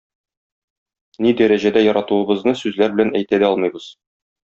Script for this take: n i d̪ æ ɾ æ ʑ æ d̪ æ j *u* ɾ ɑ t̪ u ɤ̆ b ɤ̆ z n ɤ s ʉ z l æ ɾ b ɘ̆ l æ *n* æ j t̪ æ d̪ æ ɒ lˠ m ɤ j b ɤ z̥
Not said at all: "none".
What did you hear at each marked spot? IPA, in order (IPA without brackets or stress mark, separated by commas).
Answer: ɒ, n